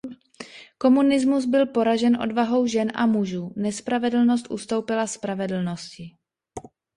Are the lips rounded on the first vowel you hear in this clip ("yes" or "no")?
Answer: yes